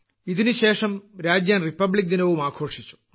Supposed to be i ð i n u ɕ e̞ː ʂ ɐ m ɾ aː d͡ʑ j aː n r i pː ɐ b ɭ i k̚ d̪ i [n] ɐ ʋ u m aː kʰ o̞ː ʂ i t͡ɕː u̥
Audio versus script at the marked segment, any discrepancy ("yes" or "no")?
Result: no